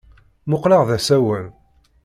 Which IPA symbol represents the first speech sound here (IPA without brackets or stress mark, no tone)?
m